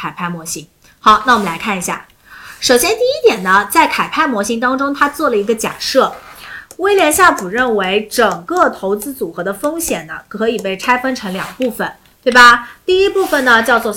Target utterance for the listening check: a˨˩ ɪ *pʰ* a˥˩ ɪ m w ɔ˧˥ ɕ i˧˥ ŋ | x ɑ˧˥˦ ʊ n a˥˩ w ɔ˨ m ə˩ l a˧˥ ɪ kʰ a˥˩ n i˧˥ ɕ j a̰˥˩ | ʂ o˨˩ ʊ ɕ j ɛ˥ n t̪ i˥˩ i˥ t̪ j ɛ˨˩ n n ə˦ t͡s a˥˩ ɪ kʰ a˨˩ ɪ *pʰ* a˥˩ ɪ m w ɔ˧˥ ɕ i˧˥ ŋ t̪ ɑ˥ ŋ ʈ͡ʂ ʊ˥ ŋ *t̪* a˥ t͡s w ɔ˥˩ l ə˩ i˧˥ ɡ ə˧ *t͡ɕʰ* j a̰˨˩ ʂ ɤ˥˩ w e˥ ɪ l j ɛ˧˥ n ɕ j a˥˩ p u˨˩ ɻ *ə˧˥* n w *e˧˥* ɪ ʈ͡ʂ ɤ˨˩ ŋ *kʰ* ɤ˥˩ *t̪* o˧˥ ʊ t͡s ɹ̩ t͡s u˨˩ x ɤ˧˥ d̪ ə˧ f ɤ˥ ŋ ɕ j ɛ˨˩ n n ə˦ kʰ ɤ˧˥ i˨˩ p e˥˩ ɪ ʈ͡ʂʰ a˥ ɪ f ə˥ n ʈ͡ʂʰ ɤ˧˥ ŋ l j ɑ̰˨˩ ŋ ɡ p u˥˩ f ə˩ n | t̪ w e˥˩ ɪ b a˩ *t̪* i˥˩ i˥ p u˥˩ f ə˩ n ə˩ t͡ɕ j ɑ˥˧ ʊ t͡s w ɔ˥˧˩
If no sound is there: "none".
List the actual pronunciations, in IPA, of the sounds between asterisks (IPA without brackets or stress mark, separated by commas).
pʰ, pʰ, t̪ʰ, t͡ɕ, ə˥˩, e˧˥, k, t̪ʰ, t̪